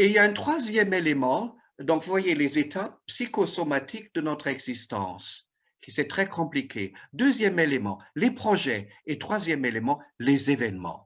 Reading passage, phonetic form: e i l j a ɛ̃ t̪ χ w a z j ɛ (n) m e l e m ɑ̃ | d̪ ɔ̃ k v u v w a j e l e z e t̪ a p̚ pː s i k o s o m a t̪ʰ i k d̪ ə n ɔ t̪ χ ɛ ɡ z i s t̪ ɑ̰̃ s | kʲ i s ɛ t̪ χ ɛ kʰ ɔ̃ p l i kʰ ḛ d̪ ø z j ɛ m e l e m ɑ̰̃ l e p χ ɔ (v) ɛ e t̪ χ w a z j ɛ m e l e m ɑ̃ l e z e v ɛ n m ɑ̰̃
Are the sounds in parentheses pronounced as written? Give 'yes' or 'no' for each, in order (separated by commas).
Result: no, no